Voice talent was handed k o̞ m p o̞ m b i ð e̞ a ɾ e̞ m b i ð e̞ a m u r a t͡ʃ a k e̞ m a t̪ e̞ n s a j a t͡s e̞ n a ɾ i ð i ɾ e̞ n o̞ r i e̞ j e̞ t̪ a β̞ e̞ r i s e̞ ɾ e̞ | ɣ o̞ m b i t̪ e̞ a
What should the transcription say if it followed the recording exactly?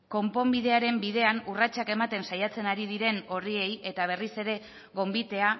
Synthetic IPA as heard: k o̞ m p o̞ m b i ð e̞ a ɾ e̞ m b i ð e̞ a n u r a t͡ʃ a k e̞ m a t̪ e̞ n s a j a t͡s e̞ n a ɾ i ð i ɾ e̞ n o̞ r i e̞ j e̞ t̪ a β̞ e̞ r i s e̞ ɾ e̞ | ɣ o̞ m b i t̪ e̞ a